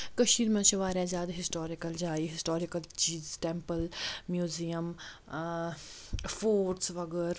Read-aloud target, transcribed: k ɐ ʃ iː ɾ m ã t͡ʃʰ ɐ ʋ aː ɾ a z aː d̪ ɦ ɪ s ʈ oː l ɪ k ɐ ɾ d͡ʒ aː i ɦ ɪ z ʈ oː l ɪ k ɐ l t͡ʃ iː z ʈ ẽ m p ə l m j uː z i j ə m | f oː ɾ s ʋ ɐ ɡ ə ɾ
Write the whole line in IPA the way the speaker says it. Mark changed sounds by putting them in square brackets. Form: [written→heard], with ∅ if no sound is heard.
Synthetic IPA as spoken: k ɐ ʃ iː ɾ m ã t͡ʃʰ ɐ ʋ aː ɾ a z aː d̪ ɦ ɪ s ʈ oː [l→ɾ] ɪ k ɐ [ɾ→l] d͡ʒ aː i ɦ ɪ [z→s] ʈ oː [l→ɾ] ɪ k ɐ l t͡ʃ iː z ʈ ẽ m p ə l m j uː z i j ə m | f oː ɾ s ʋ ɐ ɡ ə ɾ